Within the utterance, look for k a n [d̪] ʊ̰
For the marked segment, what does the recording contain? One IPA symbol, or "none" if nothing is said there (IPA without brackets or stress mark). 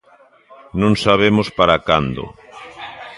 d̪